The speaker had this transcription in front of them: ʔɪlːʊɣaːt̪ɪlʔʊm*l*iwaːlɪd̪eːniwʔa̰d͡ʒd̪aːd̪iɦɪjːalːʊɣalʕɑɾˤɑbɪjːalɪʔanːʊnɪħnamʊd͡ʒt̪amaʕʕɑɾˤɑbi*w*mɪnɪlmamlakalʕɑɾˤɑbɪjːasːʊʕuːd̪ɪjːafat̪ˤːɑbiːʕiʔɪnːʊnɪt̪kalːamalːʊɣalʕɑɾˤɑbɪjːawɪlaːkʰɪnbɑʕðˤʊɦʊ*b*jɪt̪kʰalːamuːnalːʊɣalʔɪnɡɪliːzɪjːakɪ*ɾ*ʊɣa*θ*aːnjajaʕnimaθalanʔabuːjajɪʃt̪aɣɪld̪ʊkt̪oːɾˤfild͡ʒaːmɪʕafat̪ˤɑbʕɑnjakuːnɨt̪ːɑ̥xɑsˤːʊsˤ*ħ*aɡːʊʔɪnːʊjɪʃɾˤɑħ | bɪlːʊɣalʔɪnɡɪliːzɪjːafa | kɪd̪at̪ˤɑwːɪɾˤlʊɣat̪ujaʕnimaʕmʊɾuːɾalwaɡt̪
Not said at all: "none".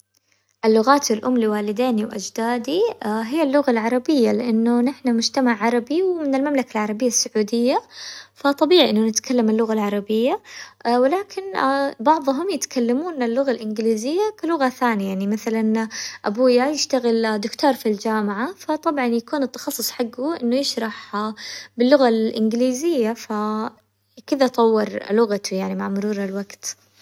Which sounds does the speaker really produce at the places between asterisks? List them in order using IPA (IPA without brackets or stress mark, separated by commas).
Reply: l, w, m, l, θ, ħ